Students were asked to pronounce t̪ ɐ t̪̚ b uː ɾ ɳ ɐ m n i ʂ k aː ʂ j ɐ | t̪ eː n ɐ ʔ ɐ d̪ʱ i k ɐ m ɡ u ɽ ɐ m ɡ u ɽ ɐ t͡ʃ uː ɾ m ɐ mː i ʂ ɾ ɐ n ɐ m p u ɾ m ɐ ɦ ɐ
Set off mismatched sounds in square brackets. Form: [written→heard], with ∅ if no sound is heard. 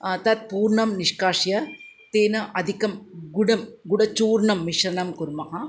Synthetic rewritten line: t̪ ɐ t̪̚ [b→p] uː ɾ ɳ ɐ m n i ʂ k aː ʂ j ɐ | t̪ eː n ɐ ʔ ɐ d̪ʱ i k ɐ m ɡ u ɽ ɐ m ɡ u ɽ ɐ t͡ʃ uː ɾ [m→ɳ] ɐ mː i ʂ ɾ ɐ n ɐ m [p→k] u ɾ m ɐ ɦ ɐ

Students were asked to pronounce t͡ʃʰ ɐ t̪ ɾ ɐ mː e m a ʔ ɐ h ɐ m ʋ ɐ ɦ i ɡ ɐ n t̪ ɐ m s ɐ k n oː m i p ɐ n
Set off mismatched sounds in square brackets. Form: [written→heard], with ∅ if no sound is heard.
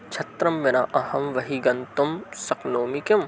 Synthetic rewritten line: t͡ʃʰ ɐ t̪ ɾ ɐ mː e [m→n] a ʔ ɐ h ɐ m ʋ ɐ ɦ i ɡ ɐ n t̪ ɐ m s ɐ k n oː m i [p→k] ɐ [n→m]

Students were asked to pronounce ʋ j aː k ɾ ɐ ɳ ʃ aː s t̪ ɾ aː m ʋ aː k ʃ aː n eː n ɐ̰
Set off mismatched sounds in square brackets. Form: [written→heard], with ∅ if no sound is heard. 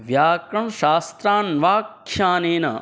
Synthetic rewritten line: ʋ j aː k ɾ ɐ ɳ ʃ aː s t̪ ɾ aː [m→n] ʋ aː k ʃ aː n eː n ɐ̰

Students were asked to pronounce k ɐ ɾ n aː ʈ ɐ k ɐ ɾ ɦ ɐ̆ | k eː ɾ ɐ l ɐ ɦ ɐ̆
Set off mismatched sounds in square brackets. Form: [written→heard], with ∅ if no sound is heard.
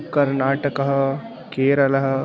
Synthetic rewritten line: k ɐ ɾ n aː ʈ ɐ k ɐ [ɾ→∅] ɦ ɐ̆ | k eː ɾ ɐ l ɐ ɦ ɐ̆

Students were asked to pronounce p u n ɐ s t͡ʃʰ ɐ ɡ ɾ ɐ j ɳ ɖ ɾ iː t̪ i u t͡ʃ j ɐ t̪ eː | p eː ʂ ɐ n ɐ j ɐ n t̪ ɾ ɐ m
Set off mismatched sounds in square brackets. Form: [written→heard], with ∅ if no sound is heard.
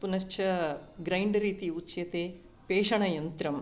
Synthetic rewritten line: p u n ɐ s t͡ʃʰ ɐ ɡ ɾ ɐ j ɳ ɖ ɾ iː t̪ i u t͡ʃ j ɐ t̪ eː | p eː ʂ ɐ [n→ɳ] ɐ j ɐ n t̪ ɾ ɐ m

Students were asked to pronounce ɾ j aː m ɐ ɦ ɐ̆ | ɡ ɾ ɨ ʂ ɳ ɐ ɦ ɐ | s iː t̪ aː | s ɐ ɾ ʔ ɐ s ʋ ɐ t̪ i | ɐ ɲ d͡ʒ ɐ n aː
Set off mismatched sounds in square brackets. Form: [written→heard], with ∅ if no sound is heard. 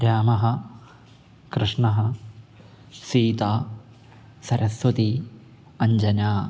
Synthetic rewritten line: ɾ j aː m ɐ ɦ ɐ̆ | [ɡ→k] ɾ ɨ ʂ ɳ ɐ ɦ ɐ | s iː t̪ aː | s ɐ ɾ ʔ ɐ s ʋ ɐ t̪ i | ɐ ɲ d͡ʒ ɐ n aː

